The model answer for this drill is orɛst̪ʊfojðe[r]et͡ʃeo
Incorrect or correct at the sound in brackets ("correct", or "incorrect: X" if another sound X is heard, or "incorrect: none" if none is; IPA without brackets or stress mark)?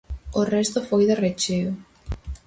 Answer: correct